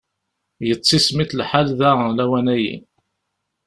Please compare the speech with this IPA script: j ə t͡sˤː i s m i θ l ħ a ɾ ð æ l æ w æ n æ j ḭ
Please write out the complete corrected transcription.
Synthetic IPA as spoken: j ə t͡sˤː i s m i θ l ħ a l ð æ l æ w æ n æ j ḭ